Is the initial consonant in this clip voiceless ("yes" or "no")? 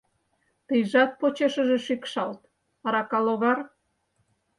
yes